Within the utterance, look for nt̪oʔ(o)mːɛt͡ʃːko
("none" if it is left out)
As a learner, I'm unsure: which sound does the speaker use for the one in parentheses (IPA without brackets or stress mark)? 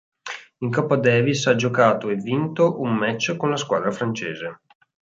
u